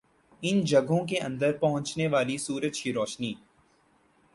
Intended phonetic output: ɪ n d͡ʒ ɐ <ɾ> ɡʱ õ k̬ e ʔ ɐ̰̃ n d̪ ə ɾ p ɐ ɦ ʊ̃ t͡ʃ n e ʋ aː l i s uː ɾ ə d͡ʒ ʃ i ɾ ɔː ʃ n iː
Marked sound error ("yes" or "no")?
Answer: yes